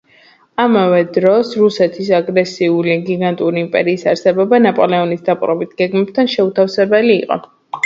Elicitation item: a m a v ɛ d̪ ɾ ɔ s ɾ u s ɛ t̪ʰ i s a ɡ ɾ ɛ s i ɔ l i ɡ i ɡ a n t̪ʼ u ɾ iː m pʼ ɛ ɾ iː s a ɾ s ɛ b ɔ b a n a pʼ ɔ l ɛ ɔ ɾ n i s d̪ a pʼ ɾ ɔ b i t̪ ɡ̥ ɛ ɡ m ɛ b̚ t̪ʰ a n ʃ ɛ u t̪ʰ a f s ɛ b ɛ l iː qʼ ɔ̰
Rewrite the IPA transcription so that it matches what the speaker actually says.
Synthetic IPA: a m a v ɛ d̪ ɾ ɔ s ɾ u s ɛ t̪ʰ i s a ɡ ɾ ɛ s i u l i ɡ i ɡ a n t̪ʼ u ɾ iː m pʼ ɛ ɾ iː s a ɾ s ɛ b ɔ b a n a pʼ ɔ l ɛ ɔ n i s d̪ a pʼ ɾ ɔ b i t̪ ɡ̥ ɛ ɡ m ɛ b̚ t̪ʰ a n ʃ ɛ u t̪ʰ a f s ɛ b ɛ l iː qʼ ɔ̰